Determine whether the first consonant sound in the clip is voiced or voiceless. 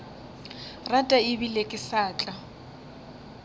voiced